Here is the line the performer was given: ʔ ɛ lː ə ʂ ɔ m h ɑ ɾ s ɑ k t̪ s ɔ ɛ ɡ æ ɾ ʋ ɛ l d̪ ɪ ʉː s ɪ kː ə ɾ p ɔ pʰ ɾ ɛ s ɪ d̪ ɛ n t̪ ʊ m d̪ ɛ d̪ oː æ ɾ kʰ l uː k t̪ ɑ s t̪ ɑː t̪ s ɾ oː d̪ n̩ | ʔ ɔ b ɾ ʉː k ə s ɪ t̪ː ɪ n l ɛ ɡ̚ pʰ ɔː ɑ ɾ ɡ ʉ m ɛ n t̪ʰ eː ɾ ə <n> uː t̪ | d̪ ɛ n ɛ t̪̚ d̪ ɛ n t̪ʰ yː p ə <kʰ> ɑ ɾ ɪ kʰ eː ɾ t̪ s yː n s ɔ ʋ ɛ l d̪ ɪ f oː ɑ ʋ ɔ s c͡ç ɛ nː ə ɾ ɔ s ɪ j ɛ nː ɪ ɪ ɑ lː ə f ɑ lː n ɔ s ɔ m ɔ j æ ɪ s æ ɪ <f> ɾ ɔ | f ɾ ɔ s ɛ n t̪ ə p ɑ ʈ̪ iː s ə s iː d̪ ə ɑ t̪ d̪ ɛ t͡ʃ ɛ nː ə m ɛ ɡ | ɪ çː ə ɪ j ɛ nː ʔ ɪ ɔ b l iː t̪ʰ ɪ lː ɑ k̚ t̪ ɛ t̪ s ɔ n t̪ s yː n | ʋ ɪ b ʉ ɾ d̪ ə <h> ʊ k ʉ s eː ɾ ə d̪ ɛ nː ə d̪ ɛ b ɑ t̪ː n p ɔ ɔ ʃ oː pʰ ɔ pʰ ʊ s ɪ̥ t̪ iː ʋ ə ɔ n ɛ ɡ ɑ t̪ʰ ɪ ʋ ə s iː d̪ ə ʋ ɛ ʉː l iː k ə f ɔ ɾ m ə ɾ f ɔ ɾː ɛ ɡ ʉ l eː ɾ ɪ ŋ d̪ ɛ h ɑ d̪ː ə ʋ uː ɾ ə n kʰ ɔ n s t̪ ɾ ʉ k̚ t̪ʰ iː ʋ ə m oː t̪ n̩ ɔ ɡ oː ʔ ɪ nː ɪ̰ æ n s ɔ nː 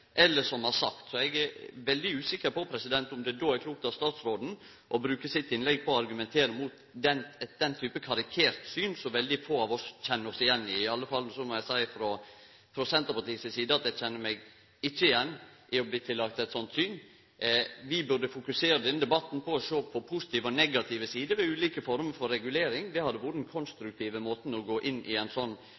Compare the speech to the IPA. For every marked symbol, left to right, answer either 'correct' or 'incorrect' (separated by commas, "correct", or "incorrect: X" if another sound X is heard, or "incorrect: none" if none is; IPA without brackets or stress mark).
incorrect: m, correct, correct, incorrect: f